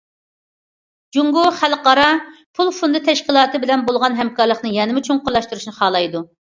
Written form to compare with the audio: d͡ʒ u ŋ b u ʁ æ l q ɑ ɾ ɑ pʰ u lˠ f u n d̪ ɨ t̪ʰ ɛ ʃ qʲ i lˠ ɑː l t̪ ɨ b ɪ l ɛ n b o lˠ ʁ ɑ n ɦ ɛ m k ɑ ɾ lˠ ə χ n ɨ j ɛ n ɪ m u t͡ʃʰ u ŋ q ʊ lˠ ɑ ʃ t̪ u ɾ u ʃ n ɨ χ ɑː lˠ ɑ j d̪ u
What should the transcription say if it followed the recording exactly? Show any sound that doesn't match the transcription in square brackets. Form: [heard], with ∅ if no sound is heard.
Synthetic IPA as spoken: d͡ʒ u ŋ [ɡ] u [χ] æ l q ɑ ɾ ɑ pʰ u lˠ f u n d̪ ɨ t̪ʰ ɛ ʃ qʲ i lˠ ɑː [∅] t̪ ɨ b ɪ l ɛ n b o lˠ ʁ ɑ n ɦ ɛ m k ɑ ɾ lˠ ə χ n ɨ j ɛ n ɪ m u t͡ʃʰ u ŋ q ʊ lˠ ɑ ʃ t̪ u ɾ u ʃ n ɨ χ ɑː lˠ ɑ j d̪ u